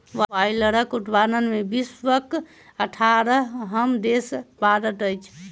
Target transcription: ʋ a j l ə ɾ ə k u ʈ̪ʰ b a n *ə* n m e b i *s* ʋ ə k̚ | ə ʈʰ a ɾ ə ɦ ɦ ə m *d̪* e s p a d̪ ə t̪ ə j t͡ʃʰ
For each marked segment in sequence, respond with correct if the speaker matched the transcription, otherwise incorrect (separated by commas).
correct, correct, correct